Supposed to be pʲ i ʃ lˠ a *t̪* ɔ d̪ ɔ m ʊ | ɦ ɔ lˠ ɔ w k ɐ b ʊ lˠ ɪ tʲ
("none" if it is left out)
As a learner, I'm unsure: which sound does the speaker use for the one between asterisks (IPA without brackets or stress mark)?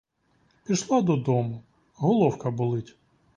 d̪